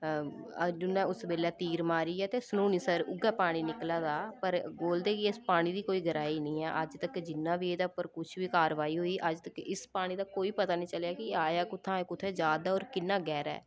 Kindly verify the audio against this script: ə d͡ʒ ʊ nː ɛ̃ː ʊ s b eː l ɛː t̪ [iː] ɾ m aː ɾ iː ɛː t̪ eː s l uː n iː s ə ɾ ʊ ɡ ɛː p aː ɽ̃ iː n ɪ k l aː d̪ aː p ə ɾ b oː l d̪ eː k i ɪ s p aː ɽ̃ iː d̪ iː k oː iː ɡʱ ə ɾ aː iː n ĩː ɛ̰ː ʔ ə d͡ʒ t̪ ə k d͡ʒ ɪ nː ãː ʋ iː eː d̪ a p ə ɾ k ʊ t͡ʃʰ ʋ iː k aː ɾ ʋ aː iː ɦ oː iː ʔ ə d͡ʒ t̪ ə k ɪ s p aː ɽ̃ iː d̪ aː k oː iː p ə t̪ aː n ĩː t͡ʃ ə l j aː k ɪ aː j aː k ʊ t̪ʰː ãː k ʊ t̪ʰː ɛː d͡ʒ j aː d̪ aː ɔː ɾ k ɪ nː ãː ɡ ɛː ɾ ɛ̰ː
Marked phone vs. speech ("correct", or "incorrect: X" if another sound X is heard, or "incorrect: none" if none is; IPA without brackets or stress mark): correct